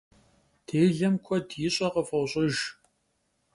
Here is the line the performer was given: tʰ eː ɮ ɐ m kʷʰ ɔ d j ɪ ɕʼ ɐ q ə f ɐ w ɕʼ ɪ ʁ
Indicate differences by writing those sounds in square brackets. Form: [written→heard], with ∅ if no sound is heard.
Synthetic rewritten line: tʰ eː ɮ ɐ m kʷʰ ɔ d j ɪ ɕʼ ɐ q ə f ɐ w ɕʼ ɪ [ʁ→ʒ]